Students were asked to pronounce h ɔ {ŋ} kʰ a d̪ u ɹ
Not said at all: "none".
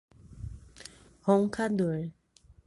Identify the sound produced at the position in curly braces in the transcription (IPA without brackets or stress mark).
ŋ